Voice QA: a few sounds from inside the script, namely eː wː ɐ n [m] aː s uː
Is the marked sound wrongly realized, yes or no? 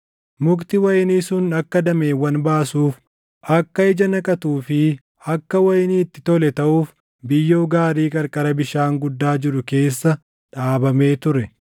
yes